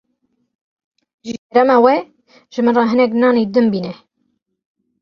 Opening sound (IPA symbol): ʒ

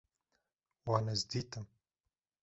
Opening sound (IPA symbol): w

